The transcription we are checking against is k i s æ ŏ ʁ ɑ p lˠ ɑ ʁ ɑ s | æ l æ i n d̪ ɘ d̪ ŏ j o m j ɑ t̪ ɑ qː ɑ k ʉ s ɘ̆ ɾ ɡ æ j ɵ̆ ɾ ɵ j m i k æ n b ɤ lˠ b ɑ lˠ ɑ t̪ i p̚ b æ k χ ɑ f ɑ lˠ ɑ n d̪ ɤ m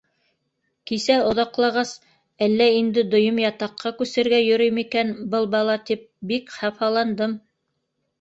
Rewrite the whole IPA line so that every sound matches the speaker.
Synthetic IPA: k i s æ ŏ ð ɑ q lˠ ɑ ʁ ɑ s | æ lː æ i n d̪ ɘ d̪ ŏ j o m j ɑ t̪ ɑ qː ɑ k ʉ s ɘ̆ ɾ ɡ æ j ɵ̆ ɾ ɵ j m i k æ n b ɤ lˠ b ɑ lˠ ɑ t̪ i p̚ b i k χ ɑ f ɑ lˠ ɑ n d̪ ɤ m